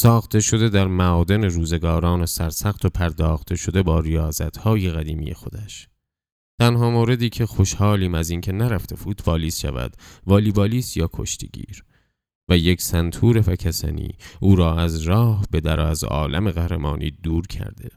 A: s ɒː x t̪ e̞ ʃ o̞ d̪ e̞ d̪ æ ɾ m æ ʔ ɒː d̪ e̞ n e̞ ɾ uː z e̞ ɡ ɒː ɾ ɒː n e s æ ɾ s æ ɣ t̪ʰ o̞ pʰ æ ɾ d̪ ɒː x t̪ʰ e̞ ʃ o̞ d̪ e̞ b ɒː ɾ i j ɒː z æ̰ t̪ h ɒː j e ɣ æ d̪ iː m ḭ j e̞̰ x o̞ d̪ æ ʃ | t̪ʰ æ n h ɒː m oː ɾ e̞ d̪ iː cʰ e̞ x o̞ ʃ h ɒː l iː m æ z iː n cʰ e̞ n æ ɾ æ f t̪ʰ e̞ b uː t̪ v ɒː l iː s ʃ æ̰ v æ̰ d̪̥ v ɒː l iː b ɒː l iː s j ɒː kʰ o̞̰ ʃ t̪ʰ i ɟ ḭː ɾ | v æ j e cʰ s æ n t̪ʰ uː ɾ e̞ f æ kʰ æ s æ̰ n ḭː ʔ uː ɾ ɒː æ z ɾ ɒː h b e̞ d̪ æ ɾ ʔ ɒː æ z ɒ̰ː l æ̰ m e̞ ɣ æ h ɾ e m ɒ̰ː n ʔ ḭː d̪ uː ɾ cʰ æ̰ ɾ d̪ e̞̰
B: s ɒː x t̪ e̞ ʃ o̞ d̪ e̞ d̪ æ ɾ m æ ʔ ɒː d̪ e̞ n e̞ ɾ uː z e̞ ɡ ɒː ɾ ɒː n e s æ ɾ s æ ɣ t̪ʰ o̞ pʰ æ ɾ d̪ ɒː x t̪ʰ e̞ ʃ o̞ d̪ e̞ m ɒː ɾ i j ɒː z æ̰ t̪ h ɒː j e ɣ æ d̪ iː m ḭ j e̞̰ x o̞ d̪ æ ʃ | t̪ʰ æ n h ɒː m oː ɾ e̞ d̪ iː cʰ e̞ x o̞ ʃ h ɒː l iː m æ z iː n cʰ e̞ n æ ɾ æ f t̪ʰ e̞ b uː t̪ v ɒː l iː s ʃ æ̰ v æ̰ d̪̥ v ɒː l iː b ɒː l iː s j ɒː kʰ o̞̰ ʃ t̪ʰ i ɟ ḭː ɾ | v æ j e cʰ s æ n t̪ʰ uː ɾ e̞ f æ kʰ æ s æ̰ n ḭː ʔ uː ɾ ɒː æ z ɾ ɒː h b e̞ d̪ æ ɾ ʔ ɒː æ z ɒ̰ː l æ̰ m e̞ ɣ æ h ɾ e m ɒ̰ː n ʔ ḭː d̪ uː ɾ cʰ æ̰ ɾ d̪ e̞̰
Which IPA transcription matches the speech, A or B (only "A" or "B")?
A